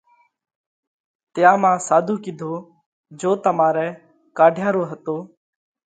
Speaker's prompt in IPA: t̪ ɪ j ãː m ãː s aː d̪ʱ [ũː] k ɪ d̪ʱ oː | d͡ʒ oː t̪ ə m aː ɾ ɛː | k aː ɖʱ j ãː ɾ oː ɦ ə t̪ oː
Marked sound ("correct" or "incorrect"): incorrect